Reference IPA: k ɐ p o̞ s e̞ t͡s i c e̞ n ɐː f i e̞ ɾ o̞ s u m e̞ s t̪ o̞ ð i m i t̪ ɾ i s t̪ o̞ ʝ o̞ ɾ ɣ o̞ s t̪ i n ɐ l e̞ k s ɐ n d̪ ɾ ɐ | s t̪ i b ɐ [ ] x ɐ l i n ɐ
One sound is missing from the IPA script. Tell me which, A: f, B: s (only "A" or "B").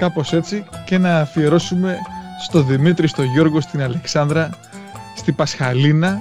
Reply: B